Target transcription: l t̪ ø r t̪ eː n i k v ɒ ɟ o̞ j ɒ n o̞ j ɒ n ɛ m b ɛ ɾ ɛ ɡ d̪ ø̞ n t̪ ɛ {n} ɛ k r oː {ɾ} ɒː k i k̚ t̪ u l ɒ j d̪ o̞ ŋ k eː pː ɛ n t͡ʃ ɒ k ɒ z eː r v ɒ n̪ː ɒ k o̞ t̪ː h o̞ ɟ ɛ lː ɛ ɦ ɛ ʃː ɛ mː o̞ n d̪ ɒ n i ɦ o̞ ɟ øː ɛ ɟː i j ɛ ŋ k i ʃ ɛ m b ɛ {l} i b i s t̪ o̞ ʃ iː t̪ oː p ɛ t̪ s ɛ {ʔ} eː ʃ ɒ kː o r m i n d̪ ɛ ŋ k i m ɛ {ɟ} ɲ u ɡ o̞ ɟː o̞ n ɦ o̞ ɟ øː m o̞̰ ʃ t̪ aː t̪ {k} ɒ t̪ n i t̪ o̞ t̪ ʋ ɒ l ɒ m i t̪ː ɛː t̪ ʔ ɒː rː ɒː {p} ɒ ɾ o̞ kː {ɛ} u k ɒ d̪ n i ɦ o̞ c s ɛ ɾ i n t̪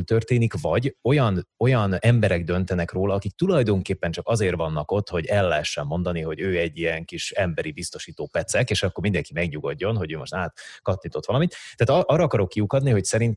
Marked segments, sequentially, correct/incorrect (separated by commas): correct, incorrect, incorrect, incorrect, incorrect, correct, incorrect, incorrect